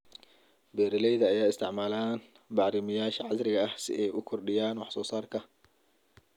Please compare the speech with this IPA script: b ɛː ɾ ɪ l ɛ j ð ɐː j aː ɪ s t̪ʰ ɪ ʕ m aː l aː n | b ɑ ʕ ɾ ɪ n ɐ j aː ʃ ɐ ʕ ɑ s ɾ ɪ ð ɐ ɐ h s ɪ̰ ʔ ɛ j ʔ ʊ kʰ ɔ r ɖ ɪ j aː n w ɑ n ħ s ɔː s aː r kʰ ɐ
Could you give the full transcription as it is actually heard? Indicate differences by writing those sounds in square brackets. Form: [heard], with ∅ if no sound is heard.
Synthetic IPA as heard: b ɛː ɾ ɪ l ɛ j ð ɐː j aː ɪ s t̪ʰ ɪ ʕ m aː l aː n | b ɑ ʕ ɾ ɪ [m] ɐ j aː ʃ ɐ ʕ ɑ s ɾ ɪ [ɣ] ɐ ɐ h s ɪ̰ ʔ ɛ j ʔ ʊ kʰ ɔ r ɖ ɪ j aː n w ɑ [∅] ħ s ɔː s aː r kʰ ɐ

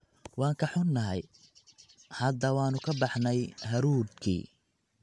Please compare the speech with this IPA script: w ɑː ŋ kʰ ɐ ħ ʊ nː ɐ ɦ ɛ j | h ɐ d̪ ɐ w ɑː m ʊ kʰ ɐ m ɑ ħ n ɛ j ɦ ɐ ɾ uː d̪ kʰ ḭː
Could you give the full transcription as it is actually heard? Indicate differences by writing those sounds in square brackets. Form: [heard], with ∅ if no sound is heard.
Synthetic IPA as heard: w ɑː ŋ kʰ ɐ ħ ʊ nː ɐ ɦ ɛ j | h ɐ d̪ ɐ w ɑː [n] ʊ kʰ ɐ [b] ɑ ħ n ɛ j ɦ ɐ ɾ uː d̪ kʰ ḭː

